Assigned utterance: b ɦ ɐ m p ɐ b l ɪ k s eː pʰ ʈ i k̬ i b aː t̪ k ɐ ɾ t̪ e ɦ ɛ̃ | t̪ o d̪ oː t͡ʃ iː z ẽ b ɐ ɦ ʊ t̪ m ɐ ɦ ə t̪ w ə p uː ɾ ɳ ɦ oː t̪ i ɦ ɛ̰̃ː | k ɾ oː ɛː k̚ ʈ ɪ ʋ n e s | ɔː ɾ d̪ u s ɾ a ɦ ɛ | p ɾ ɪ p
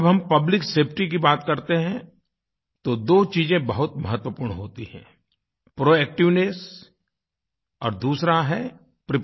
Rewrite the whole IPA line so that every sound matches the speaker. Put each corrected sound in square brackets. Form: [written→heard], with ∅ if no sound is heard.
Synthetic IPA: b ɦ ɐ m p ɐ b l ɪ k s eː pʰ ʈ i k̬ i b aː t̪ k ɐ ɾ t̪ e ɦ ɛ̃ | t̪ o d̪ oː t͡ʃ iː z ẽ b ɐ ɦ ʊ t̪ m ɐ ɦ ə t̪ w ə p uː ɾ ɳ ɦ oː t̪ i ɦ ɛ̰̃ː | [k→p] ɾ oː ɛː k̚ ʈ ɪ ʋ n e s | ɔː ɾ d̪ [u→uː] s ɾ a ɦ ɛ | p ɾ ɪ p